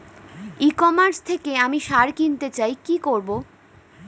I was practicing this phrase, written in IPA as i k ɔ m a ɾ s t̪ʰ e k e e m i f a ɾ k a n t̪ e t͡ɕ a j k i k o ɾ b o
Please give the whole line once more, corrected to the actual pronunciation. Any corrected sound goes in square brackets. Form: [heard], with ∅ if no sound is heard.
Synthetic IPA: i k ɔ m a ɾ s t̪ʰ e k e [a] m i [ʃ] a ɾ k [i] n t̪ e t͡ɕ a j k i k o ɾ b o